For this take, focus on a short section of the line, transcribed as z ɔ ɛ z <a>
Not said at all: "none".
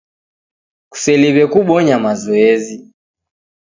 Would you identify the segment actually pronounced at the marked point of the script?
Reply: i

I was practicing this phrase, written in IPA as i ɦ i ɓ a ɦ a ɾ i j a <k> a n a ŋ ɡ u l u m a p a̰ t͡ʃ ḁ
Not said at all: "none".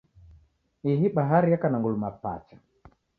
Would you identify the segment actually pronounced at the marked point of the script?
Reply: k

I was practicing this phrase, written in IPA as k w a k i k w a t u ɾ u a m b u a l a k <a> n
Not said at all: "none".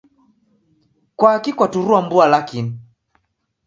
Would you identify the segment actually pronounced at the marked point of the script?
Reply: i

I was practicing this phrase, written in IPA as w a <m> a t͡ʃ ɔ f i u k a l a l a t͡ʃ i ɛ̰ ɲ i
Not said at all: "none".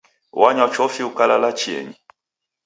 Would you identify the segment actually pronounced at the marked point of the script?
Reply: ɲ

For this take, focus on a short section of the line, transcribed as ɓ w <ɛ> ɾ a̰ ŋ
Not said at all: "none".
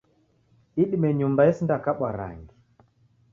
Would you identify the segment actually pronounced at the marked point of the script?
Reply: a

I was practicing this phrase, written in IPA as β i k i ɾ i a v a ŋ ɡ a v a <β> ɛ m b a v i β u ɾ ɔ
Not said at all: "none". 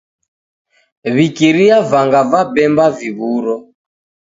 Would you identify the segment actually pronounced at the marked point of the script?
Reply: b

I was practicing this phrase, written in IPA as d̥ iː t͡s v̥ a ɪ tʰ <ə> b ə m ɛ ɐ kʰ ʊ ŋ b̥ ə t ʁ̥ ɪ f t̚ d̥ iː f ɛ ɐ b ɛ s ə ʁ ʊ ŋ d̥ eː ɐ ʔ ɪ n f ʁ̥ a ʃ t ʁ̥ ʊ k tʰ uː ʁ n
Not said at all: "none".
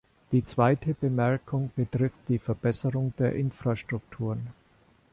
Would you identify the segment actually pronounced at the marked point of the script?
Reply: ə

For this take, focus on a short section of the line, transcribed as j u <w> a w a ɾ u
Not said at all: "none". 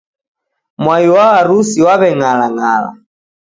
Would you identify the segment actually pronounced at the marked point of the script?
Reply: w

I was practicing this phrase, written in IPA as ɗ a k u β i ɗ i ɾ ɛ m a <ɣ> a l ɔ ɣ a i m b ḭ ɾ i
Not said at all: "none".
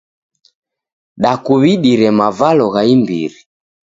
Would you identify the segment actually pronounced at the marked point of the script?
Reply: v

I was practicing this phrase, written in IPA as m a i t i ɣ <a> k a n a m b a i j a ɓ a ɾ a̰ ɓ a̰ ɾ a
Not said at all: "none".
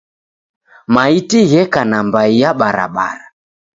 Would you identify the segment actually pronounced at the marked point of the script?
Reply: ɛ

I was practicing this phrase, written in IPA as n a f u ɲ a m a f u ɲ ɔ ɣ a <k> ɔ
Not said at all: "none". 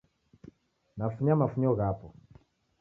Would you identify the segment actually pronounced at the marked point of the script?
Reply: p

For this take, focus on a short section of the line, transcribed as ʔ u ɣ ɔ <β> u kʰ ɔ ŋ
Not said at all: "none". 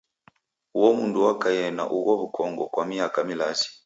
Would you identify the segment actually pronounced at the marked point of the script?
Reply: β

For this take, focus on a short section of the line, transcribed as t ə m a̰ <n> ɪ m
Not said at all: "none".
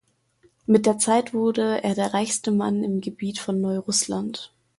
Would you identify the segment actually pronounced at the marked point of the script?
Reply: n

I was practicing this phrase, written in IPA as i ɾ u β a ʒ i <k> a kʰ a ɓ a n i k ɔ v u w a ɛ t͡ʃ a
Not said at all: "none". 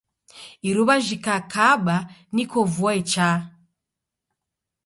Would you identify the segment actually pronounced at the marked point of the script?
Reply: k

